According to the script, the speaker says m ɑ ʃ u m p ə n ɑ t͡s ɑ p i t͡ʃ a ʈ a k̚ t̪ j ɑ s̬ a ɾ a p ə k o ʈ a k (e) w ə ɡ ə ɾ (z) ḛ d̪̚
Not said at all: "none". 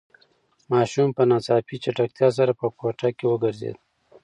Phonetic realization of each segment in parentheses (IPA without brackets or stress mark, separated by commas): e, z